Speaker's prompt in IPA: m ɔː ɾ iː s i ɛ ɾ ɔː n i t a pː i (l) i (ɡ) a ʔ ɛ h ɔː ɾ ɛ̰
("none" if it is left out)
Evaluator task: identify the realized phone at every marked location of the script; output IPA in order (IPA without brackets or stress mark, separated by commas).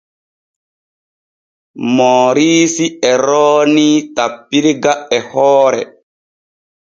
ɾ, ɡ